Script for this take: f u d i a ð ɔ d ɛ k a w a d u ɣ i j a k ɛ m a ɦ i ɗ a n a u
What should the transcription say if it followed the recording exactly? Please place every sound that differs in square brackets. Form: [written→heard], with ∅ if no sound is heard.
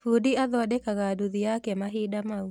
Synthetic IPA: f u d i a ð ɔ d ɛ k a [w→ɣ] a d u [ɣ→ð] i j a k ɛ m a ɦ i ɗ a [n→m] a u